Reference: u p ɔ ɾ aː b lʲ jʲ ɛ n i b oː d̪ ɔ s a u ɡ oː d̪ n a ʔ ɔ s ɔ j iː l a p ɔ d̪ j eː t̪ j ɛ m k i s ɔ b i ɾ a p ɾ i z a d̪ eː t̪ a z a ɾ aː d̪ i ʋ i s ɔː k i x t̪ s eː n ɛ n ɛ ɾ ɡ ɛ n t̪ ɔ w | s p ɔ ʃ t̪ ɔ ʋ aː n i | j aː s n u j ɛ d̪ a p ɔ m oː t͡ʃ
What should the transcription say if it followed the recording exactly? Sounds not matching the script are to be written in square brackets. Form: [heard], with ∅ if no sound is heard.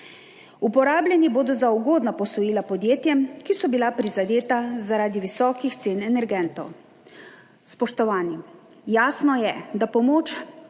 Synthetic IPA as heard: u p ɔ ɾ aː b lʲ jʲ ɛ n i b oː d̪ ɔ [z] a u ɡ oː d̪ n a [p] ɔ s ɔ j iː l a p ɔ d̪ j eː t̪ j ɛ m k i s ɔ b i [l] a p ɾ i z a d̪ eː t̪ a z a ɾ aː d̪ i ʋ i s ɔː k i x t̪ s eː n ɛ n ɛ ɾ ɡ ɛ n t̪ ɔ w | s p ɔ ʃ t̪ ɔ ʋ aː n i | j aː s n [ɔ] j ɛ d̪ a p ɔ m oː t͡ʃ